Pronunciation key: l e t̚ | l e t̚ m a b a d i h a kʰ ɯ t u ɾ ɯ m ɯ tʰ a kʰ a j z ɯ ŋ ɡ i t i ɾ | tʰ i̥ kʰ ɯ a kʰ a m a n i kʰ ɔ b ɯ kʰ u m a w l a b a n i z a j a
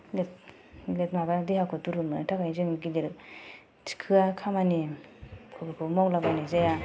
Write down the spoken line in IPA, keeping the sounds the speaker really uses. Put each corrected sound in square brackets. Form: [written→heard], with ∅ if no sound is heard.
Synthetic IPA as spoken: l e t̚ | l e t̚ m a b a d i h a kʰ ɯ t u ɾ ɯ m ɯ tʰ a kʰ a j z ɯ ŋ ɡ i [t→d] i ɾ | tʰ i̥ kʰ ɯ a kʰ a m a n i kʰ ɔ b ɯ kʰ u m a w l a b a n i z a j a